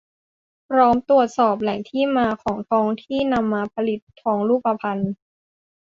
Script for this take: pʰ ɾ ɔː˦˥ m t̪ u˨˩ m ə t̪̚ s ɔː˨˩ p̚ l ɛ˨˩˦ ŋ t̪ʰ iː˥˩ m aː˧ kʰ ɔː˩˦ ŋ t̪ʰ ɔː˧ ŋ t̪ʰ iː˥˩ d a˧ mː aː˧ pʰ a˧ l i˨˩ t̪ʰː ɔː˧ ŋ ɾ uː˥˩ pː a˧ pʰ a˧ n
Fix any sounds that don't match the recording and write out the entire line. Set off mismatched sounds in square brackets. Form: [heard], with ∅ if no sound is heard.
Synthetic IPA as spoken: pʰ ɾ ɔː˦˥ m t̪ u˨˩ [∅] ə t̪̚ s ɔː˨˩ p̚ l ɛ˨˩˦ ŋ t̪ʰ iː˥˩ m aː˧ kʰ ɔː˩˦ ŋ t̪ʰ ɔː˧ ŋ t̪ʰ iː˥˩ [n] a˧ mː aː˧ pʰ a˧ l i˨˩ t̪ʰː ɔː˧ ŋ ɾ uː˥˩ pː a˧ pʰ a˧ n